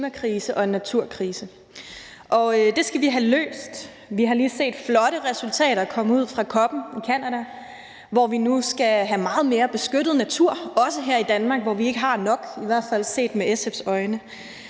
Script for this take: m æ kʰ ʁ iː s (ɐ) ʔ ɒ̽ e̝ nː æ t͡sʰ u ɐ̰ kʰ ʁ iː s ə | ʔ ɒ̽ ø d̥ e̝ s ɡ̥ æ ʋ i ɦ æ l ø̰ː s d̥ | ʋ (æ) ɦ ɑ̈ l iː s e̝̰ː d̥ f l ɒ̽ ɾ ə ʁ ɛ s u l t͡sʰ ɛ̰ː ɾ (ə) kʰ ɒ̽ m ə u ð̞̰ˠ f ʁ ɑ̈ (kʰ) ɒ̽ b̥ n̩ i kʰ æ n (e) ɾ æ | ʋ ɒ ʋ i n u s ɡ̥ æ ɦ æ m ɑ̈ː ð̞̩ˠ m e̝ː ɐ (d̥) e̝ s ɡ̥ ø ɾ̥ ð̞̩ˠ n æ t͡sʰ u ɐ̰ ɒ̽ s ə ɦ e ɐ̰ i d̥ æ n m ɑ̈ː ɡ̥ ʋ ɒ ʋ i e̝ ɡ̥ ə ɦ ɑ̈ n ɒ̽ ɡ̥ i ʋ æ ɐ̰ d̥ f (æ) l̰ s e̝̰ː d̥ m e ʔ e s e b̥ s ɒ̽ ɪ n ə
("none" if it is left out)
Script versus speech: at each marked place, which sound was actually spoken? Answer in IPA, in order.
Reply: ə, i, ɐ, kʰ, æ, b̥, æ

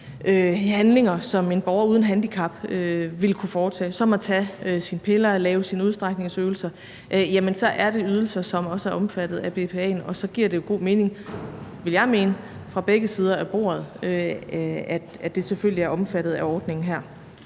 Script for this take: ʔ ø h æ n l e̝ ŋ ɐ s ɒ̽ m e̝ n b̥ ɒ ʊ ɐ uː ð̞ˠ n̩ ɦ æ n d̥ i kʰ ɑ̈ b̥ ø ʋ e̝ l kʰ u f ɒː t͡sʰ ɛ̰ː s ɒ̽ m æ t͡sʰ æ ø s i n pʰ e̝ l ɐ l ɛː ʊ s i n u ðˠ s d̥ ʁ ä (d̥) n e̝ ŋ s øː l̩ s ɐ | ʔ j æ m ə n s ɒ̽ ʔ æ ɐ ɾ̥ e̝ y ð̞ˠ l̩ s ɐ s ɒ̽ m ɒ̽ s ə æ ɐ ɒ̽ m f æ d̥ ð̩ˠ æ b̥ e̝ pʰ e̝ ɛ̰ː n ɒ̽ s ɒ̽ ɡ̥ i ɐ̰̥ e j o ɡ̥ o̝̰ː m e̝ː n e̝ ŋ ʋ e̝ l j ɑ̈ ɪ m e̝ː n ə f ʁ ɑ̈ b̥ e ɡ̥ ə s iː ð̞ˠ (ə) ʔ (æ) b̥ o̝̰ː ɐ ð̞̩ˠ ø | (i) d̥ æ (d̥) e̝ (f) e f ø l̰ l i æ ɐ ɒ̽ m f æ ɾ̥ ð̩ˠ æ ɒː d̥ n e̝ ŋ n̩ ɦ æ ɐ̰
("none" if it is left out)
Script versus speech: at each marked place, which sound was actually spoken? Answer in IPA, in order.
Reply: ɡ̥, ɐ, æ, æ, d̥, s

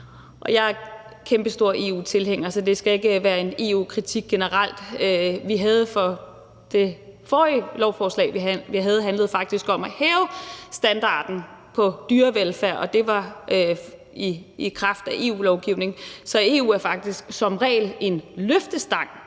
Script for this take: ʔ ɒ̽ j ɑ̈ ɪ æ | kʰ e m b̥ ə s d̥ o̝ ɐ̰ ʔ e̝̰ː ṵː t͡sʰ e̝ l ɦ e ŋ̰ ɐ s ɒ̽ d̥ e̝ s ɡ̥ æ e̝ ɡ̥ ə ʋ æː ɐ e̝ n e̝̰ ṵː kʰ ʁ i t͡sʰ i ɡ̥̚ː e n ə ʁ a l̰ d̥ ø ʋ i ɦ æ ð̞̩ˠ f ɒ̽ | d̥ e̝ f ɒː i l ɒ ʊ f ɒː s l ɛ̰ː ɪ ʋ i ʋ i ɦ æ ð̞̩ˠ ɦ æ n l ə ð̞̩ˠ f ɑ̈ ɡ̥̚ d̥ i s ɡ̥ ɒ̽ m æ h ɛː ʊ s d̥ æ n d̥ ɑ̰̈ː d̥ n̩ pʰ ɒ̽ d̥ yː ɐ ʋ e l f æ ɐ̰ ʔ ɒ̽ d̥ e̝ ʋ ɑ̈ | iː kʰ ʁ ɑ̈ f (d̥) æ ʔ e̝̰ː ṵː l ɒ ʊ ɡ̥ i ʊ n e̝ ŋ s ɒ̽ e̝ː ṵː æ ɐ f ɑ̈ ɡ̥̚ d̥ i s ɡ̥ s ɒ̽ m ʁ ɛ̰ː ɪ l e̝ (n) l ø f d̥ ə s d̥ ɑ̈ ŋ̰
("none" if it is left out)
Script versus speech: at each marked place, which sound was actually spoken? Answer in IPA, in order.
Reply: d̥, n

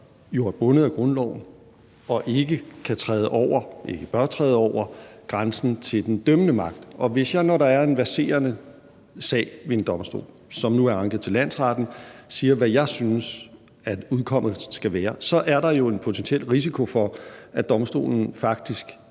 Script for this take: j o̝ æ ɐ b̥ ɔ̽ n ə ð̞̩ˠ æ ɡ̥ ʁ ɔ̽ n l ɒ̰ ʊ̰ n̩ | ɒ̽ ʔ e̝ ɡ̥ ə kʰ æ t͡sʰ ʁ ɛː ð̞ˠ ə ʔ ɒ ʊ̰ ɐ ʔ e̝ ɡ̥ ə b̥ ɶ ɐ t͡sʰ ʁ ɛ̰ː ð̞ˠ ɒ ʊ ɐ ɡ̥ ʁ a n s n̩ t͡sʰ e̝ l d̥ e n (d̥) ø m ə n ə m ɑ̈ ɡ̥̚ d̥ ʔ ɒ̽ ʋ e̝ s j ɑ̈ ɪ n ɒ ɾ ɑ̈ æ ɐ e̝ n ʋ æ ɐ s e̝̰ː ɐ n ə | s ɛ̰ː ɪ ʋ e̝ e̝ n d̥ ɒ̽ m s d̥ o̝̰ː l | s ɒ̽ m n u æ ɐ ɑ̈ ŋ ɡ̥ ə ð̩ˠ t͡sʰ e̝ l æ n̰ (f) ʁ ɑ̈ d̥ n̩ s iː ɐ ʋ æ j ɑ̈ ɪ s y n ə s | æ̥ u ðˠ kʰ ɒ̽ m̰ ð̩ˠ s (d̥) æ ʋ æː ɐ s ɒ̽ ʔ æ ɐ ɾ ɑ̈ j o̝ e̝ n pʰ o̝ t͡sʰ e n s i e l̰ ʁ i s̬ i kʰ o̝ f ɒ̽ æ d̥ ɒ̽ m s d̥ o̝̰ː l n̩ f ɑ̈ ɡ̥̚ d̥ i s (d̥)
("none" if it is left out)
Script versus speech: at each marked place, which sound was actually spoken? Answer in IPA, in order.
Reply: d̥, s, ɡ̥, ɡ̥

